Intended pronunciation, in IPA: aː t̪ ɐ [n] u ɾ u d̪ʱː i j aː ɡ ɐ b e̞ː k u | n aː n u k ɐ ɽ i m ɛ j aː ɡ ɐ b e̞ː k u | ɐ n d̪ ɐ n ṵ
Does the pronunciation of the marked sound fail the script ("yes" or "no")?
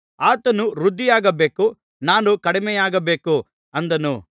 no